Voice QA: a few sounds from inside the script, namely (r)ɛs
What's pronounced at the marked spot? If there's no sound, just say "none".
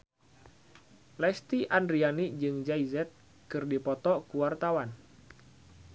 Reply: l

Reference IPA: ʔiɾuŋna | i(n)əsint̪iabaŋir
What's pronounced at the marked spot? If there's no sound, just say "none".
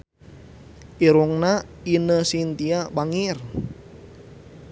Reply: n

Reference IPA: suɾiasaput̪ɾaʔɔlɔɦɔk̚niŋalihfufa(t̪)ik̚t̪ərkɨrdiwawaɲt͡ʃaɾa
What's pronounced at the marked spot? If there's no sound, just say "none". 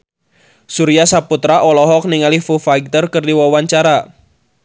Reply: none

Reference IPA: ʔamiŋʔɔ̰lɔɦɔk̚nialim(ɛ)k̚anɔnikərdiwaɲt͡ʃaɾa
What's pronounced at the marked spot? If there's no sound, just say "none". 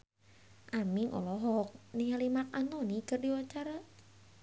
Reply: a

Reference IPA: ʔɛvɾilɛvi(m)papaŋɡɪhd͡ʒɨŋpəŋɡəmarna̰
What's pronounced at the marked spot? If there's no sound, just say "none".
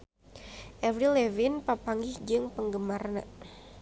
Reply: n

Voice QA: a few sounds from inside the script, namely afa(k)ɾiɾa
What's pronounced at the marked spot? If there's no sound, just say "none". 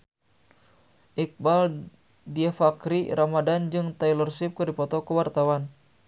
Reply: k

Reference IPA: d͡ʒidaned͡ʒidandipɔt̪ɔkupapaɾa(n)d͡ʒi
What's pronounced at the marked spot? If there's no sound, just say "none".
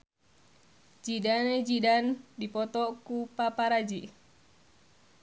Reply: none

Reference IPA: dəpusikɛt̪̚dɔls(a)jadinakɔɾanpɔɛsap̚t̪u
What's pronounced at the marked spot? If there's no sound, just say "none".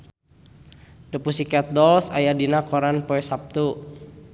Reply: a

